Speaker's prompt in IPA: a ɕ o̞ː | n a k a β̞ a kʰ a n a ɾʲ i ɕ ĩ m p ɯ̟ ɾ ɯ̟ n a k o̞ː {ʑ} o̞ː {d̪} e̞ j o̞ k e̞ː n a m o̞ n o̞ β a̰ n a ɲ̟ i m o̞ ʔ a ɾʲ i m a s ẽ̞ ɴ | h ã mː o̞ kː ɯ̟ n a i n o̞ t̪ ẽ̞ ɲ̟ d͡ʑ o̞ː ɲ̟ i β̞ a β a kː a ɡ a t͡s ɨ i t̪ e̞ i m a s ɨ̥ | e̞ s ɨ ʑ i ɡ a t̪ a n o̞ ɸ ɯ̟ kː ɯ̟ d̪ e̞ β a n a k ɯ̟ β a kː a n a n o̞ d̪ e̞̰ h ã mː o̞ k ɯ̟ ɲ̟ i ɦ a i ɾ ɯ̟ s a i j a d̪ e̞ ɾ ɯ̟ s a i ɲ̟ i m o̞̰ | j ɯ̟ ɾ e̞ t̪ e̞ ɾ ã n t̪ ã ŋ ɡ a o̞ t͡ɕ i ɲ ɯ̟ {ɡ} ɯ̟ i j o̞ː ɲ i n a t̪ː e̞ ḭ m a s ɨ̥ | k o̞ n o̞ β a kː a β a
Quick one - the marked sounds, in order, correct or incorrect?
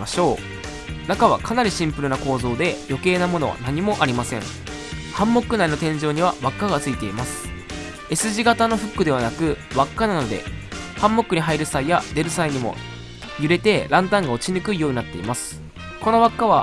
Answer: incorrect: z, correct, incorrect: k

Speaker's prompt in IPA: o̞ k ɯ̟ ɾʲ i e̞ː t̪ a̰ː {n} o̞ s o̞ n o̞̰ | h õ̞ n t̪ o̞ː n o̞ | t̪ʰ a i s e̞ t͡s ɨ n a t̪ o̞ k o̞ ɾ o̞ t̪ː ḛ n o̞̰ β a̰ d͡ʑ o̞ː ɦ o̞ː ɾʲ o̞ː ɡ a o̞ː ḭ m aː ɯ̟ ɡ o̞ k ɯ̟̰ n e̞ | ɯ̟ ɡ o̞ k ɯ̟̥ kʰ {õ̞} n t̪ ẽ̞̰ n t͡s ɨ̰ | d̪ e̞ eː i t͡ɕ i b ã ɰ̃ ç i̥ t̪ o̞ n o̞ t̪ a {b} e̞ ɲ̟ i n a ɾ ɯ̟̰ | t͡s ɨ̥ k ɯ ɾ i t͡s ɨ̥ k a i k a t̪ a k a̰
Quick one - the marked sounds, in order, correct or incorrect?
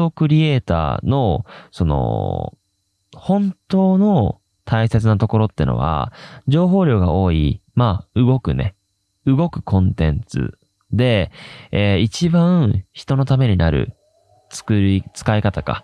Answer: correct, correct, incorrect: m

